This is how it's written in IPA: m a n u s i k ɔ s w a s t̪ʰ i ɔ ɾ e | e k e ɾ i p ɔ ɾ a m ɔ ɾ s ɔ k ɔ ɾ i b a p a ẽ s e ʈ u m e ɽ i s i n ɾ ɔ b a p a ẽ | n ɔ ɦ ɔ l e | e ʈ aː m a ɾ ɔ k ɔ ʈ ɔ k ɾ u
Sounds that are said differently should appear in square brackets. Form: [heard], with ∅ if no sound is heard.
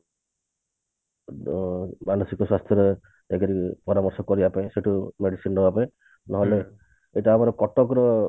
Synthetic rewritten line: m a n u s i k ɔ s w a s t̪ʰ [j] ɔ ɾ e | e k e ɾ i p ɔ ɾ a m ɔ ɾ s ɔ k ɔ ɾ i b a p a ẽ s e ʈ u m e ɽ i s i n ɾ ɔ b a p a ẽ | n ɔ ɦ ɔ l e | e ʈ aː m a ɾ ɔ k ɔ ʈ ɔ k ɾ [ɔ]

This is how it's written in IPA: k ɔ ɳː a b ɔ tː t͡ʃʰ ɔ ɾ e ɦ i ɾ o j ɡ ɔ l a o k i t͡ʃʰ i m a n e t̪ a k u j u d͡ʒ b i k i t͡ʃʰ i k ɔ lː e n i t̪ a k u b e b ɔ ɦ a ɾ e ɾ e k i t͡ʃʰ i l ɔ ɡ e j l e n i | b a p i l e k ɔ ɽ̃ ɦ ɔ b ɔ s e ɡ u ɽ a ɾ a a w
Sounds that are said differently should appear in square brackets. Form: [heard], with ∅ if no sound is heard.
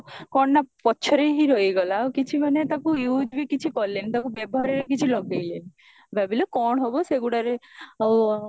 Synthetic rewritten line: k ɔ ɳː a [p] ɔ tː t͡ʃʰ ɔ ɾ e ɦ i ɾ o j ɡ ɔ l a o k i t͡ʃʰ i m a n e t̪ a k u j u d͡ʒ b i k i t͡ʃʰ i k ɔ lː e n i t̪ a k u b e b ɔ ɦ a ɾ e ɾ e k i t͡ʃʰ i l ɔ ɡ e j l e n i | b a [b] i l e k ɔ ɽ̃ ɦ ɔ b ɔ s e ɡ u ɽ a ɾ [e] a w

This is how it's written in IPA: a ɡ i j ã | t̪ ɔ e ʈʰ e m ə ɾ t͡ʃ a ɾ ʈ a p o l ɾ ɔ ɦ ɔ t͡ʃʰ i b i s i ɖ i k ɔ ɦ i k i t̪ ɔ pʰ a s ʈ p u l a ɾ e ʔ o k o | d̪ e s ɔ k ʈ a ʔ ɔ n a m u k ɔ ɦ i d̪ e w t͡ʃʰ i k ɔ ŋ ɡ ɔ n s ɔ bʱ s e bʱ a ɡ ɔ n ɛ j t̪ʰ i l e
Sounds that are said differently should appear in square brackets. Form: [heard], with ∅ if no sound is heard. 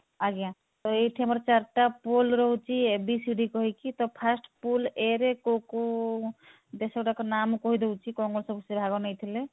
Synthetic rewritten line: a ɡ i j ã | t̪ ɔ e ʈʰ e m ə ɾ t͡ʃ a ɾ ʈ a p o l ɾ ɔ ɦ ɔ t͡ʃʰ i b i s i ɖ i k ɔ ɦ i k i t̪ ɔ pʰ a s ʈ p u l [e] ɾ e [k] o k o | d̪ e s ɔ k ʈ a [k] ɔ n a m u k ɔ ɦ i d̪ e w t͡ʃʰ i k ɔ ŋ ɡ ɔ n s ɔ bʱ s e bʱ a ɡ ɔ n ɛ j t̪ʰ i l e

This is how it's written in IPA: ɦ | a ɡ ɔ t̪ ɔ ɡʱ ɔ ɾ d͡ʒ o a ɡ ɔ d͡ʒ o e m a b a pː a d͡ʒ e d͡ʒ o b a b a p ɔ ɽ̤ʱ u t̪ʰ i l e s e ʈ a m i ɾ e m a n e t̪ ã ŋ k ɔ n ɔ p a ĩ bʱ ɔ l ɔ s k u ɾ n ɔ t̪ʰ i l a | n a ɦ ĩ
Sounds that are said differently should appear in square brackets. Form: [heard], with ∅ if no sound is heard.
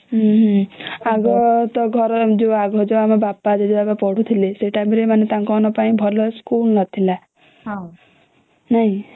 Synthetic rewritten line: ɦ | a ɡ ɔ t̪ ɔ ɡʱ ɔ ɾ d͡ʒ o a ɡ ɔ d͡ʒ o [a] m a b a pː a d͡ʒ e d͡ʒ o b a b a p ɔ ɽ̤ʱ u t̪ʰ i l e s e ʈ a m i ɾ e m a n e t̪ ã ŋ k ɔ n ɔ p a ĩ bʱ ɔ l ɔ s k u [l] n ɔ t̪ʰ i l a | n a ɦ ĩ

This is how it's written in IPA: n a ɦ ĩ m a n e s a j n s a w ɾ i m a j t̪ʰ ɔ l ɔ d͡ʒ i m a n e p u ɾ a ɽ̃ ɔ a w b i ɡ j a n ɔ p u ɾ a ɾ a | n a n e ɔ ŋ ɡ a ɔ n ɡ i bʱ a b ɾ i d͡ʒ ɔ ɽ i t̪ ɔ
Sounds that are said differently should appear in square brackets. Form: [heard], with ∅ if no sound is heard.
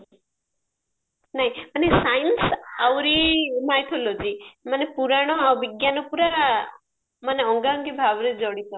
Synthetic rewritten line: n a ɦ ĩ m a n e s a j n s a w ɾ i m a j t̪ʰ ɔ l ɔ d͡ʒ i m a n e p u ɾ a ɽ̃ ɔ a w b i ɡ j a n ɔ p u ɾ a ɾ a | [m] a n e ɔ ŋ ɡ a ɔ [ŋ] ɡ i bʱ a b ɾ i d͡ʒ ɔ ɽ i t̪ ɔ

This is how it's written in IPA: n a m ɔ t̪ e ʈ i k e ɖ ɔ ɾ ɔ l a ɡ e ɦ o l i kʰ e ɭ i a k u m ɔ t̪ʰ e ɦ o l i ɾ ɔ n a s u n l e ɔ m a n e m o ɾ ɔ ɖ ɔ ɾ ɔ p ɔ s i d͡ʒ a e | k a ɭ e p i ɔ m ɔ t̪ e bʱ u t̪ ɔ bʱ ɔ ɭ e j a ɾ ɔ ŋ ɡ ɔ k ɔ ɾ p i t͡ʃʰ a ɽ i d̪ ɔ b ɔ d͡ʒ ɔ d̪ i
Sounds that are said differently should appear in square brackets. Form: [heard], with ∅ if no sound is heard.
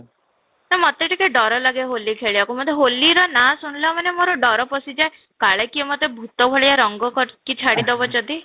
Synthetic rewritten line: n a m ɔ t̪ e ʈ i k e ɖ ɔ ɾ ɔ l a ɡ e ɦ o l i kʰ e ɭ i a k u m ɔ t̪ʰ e ɦ o l i ɾ ɔ n a s u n l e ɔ m a n e m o ɾ ɔ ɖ ɔ ɾ ɔ p ɔ s i d͡ʒ a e | k a ɭ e [k] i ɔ m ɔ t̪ e bʱ u t̪ ɔ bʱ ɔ ɭ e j a ɾ ɔ ŋ ɡ ɔ k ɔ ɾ [k] i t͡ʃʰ a ɽ i d̪ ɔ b ɔ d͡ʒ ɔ d̪ i

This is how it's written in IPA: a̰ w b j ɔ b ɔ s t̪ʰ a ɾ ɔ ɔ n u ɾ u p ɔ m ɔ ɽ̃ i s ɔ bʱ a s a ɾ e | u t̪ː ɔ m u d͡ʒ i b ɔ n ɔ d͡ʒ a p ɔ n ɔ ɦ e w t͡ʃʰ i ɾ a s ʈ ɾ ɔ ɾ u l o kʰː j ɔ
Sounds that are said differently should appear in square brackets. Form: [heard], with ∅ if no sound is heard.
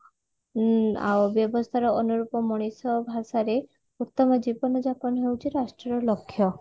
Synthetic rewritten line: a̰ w b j ɔ b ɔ s t̪ʰ a ɾ ɔ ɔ n u ɾ u p ɔ m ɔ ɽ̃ i s ɔ bʱ a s a ɾ e | u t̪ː ɔ m [ɔ] d͡ʒ i b ɔ n ɔ d͡ʒ a p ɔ n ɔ ɦ e w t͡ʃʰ i ɾ a s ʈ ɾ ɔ ɾ [ɔ] l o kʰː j ɔ

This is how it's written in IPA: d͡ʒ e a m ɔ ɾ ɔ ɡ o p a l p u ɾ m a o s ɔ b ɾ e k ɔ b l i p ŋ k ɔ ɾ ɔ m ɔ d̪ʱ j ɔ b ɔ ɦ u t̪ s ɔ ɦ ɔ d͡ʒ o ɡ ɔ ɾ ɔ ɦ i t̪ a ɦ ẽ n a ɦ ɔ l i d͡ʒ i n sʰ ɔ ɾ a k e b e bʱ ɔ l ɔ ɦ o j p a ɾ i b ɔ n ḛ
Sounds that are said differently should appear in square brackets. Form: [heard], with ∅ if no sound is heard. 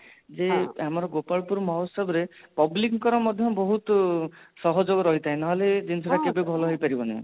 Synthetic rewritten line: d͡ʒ e a m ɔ ɾ ɔ ɡ o p a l p u ɾ m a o s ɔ b ɾ e [p] ɔ b l i [k] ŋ k ɔ ɾ ɔ m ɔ d̪ʱ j ɔ b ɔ ɦ u t̪ s ɔ ɦ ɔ d͡ʒ o ɡ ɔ ɾ ɔ ɦ i t̪ a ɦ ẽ n a ɦ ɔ l [e] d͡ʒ i n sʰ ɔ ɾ a k e b e bʱ ɔ l ɔ ɦ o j p a ɾ i b ɔ n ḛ

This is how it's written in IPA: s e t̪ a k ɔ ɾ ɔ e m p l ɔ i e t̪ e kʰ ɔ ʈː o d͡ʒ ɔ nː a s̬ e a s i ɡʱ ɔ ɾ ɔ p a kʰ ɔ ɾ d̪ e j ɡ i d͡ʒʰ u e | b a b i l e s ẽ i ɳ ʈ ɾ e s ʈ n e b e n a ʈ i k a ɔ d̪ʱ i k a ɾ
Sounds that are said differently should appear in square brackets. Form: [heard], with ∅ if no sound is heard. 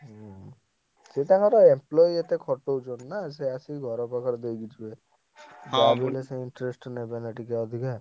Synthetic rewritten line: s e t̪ a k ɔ ɾ ɔ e m p l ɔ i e t̪ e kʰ ɔ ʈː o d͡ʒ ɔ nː a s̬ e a s i ɡʱ ɔ ɾ ɔ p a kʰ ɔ ɾ d̪ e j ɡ i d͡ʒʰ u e | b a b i l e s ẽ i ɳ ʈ ɾ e s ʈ n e b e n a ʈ i k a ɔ d̪ʱ i k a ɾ

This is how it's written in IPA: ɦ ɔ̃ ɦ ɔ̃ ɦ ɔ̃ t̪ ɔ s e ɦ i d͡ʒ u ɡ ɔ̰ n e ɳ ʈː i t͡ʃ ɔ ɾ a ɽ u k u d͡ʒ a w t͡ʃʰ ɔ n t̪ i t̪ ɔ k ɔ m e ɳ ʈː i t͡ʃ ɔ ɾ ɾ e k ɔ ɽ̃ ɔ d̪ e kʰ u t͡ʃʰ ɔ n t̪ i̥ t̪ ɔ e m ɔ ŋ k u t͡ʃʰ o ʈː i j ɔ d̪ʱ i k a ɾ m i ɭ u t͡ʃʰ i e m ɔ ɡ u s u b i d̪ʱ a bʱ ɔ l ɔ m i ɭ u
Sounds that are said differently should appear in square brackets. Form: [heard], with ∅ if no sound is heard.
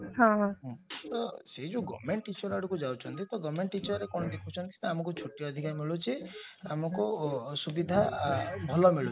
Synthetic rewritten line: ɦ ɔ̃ ɦ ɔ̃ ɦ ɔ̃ t̪ ɔ s e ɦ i d͡ʒ u ɡ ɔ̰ [m] e ɳ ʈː i t͡ʃ ɔ ɾ a ɽ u k u d͡ʒ a w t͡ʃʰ ɔ n t̪ i t̪ ɔ [ɡ] ɔ m e ɳ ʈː i t͡ʃ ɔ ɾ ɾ e k ɔ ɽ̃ ɔ d̪ e kʰ u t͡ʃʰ ɔ n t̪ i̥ t̪ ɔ [a] m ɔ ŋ k u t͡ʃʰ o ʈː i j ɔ d̪ʱ i k a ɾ m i ɭ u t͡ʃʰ i [a] m ɔ [k] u s u b i d̪ʱ a bʱ ɔ l ɔ m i ɭ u

